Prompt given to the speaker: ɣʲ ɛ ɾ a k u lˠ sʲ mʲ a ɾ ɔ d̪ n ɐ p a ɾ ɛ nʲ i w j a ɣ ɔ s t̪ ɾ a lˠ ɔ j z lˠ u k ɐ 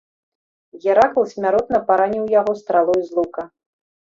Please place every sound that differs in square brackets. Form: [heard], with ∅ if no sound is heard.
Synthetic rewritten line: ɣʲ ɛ ɾ a k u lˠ sʲ mʲ a ɾ ɔ [t̪] n ɐ p a ɾ [a] nʲ i w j a ɣ ɔ s t̪ ɾ a lˠ ɔ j z lˠ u k ɐ